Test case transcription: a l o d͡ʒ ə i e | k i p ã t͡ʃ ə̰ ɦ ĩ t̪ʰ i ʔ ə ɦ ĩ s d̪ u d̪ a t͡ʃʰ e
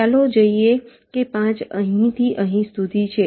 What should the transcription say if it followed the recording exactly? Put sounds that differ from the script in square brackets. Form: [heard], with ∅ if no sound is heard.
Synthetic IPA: a l o d͡ʒ ə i e | k [e] p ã t͡ʃ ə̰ ɦ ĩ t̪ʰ i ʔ ə ɦ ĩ s [t̪] u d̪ [i] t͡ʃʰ e